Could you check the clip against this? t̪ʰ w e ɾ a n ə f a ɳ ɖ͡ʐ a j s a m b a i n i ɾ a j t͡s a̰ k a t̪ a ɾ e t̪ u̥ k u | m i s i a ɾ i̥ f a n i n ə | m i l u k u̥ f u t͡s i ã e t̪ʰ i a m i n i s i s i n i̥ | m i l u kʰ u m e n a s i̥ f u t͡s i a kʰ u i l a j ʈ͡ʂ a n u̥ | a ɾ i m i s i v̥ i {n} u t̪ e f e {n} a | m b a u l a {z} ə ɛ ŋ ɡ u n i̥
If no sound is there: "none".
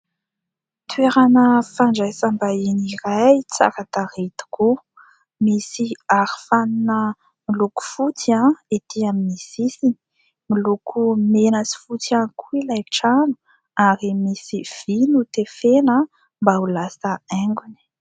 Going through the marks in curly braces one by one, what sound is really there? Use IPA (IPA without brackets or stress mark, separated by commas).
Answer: n, n, s